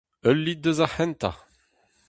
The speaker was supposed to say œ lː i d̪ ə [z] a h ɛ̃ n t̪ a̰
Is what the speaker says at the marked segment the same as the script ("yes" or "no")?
yes